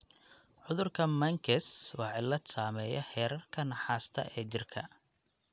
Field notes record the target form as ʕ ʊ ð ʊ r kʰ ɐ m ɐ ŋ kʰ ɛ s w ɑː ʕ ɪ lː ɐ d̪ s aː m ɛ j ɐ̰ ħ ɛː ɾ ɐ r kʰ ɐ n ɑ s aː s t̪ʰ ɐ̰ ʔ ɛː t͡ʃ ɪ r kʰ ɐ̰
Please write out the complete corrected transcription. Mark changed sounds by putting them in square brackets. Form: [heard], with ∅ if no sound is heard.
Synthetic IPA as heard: ʕ ʊ ð ʊ r kʰ ɐ m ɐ ŋ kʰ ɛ s w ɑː ʕ ɪ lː ɐ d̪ s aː m ɛ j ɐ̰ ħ ɛː ɾ ɐ r kʰ ɐ n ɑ [ħ] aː s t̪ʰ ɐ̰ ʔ ɛː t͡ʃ ɪ r kʰ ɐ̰

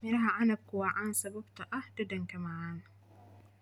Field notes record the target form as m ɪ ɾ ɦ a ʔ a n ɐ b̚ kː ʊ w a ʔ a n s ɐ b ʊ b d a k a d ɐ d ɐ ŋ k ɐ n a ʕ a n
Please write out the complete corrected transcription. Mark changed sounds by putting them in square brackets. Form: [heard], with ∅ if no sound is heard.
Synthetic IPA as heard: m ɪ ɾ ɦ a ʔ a n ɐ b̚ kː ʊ w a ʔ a n s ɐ b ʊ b [t] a [ʔ] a d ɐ d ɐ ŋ k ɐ [m] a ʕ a n

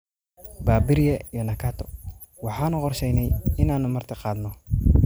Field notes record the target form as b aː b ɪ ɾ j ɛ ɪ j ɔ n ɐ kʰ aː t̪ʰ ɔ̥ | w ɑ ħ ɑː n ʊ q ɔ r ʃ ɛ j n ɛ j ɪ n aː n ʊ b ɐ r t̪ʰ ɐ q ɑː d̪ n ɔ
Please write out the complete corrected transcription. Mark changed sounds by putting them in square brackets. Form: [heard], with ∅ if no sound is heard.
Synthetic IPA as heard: b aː b ɪ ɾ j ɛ [i] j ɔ n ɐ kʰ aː t̪ʰ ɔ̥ | w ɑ ħ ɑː n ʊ q ɔ r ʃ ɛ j n ɛ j ɪ n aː n ʊ [m] ɐ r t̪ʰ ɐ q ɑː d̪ n ɔ

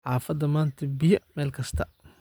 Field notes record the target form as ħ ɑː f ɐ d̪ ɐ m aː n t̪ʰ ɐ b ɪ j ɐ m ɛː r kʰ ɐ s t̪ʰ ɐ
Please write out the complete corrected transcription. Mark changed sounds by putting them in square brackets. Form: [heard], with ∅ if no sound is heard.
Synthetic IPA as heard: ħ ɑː f ɐ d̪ ɐ m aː n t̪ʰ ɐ b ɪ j ɐ m ɛː [l] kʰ ɐ s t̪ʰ ɐ

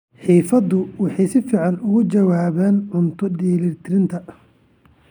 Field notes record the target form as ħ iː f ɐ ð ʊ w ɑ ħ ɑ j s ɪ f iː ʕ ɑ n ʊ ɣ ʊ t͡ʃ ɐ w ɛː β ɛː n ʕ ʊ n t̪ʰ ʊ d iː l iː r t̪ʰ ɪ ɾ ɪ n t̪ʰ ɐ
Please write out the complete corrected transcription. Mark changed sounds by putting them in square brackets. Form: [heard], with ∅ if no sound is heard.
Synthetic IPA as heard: ħ iː f ɐ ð ʊ w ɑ ħ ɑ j s ɪ f iː ʕ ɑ n ʊ ɣ ʊ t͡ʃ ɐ w [aː] β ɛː n ʕ ʊ n t̪ʰ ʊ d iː l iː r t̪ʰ ɪ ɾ ɪ n t̪ʰ ɐ

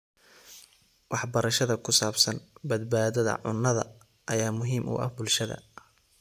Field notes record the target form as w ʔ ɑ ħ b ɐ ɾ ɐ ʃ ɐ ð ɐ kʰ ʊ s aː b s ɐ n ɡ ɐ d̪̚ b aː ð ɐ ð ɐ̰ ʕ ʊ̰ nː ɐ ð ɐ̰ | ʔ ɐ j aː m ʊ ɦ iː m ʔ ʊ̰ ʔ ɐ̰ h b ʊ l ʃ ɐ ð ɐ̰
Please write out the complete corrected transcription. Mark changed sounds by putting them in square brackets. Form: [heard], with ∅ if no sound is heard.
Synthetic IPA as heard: w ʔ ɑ ħ b ɐ ɾ ɐ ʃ ɐ ð ɐ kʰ ʊ s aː b s ɐ n [b] ɐ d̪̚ b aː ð ɐ ð ɐ̰ ʕ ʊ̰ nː ɐ ð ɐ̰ | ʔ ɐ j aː m ʊ ɦ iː m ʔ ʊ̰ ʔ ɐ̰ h b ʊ l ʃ ɐ ð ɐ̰

